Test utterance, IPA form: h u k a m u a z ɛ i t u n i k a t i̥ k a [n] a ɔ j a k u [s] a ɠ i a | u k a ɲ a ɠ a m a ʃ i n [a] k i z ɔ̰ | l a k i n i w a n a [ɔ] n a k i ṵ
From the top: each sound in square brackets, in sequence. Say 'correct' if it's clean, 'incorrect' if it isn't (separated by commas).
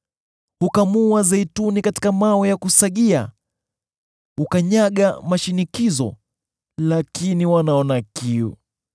incorrect, correct, incorrect, correct